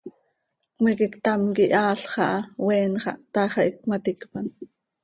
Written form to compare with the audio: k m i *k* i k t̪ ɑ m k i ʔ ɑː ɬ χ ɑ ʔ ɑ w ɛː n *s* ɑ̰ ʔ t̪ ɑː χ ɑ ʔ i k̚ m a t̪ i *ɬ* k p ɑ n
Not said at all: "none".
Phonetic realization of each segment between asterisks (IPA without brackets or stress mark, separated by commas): k, χ, none